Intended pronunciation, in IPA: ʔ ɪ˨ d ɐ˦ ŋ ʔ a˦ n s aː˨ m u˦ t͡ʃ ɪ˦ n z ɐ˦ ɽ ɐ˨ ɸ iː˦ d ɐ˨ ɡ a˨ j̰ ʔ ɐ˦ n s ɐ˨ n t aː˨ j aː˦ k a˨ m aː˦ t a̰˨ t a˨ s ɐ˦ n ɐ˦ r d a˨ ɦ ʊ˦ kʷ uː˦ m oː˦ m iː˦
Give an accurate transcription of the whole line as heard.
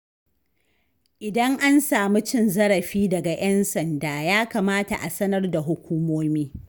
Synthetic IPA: ʔ ɪ˨ d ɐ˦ ŋ ʔ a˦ n s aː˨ m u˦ t͡ʃ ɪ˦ n z ɐ˦ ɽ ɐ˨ ɸ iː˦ d ɐ˨ ɡ a˨ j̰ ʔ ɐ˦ n s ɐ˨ n d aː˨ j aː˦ k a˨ m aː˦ t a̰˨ ʔ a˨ s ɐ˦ n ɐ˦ r d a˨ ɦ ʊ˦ kʷ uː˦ m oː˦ m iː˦